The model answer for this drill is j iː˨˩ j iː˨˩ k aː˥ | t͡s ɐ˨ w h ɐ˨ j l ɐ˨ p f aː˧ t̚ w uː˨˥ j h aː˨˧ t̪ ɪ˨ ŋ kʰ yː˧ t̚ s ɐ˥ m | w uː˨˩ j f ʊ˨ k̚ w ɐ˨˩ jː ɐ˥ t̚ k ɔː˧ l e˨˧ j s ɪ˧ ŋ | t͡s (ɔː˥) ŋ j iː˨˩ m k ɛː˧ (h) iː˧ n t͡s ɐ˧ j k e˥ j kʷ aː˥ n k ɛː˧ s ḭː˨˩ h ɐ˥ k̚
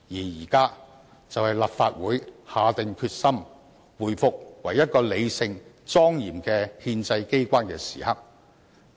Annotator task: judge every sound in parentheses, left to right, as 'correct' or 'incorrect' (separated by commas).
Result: correct, correct